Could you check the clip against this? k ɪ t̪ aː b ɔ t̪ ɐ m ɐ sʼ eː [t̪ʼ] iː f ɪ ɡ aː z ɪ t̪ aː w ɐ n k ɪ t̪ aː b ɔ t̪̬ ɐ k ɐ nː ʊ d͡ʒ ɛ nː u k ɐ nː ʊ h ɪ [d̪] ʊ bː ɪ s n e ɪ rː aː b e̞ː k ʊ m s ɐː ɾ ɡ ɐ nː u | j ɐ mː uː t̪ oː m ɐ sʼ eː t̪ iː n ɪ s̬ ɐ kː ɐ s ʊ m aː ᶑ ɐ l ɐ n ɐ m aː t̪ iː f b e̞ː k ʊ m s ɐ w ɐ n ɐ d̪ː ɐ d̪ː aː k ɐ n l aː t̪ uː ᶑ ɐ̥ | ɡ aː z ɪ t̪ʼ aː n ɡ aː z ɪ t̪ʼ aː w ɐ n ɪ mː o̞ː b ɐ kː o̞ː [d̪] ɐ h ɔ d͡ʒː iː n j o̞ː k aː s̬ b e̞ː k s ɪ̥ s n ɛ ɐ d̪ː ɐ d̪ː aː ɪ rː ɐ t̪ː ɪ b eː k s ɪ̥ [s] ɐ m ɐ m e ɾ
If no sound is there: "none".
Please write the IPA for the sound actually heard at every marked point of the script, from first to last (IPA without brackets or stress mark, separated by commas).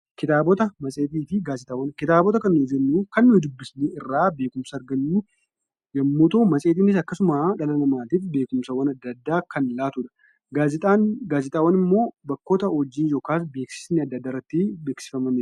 t̪, d̪, t̪, f